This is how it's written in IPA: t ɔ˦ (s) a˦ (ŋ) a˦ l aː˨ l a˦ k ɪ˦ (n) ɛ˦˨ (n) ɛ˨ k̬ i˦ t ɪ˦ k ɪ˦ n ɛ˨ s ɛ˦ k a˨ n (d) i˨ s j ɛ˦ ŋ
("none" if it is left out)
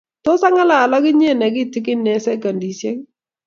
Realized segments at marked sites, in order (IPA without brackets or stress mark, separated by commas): s, ŋ, ɲ, n, d